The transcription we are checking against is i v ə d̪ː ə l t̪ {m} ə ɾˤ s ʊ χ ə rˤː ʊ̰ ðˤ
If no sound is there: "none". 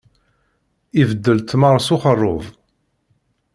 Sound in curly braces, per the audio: m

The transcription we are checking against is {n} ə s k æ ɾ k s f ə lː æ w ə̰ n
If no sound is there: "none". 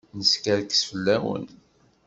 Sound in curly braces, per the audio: n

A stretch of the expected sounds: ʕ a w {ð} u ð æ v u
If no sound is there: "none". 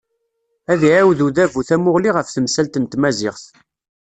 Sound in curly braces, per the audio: ð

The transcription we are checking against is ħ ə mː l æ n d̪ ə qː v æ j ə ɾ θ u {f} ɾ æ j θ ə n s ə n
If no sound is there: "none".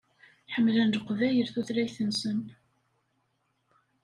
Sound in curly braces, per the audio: θ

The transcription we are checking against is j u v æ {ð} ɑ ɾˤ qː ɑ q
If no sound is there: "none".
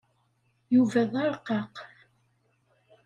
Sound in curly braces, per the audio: ð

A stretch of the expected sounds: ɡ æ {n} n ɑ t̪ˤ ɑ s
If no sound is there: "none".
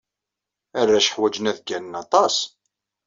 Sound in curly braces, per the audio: n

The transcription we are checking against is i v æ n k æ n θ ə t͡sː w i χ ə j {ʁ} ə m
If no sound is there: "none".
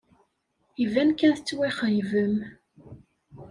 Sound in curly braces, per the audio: v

